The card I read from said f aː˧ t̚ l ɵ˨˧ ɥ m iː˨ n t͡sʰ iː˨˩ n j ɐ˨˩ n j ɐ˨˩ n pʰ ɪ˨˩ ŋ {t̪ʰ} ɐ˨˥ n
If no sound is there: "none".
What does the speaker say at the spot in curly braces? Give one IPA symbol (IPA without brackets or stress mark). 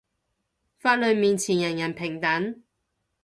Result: t̪